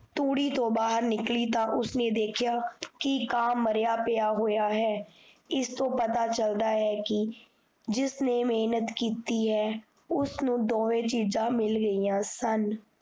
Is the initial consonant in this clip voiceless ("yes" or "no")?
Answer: yes